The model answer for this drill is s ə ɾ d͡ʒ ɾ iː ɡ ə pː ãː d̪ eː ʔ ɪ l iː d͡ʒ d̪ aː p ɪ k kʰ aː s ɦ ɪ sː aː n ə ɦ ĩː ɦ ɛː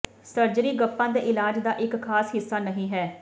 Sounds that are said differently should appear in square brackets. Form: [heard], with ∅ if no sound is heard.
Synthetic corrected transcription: s ə ɾ d͡ʒ ɾ iː ɡ ə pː ãː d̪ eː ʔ ɪ l [aː] d͡ʒ d̪ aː [ʔ] ɪ k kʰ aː s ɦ ɪ sː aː n ə ɦ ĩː ɦ ɛː